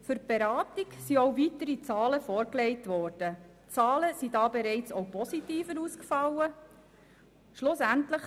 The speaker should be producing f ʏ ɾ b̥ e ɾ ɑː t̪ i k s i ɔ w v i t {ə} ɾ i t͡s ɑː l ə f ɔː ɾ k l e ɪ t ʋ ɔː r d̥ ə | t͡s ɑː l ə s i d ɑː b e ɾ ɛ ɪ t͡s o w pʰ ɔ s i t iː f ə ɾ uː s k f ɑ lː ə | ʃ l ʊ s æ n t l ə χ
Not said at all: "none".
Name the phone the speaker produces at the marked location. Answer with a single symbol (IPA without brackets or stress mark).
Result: ə